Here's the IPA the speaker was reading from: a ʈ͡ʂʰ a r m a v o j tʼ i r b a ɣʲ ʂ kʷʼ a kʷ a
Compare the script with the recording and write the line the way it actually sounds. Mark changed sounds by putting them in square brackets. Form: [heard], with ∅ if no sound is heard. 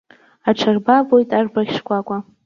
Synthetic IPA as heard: a ʈ͡ʂʰ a r [b] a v o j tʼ [a] r b a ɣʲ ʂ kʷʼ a [kʷʼ] a